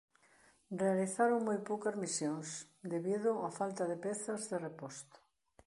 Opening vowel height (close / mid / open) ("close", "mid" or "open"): mid